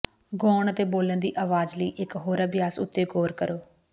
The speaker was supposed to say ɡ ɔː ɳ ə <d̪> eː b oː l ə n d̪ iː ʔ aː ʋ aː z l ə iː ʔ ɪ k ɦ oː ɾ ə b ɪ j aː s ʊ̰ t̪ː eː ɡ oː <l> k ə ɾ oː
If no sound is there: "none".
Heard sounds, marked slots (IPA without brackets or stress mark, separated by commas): t̪, ɾ